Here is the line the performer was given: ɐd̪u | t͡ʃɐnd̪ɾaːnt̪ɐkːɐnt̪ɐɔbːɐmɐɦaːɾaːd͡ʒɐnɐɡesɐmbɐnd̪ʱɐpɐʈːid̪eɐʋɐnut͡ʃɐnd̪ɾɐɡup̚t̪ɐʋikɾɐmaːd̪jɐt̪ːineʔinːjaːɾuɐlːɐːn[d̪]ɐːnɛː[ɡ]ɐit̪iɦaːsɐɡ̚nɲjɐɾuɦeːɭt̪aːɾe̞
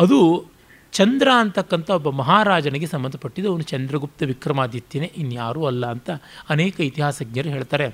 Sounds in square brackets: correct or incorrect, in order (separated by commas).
incorrect, incorrect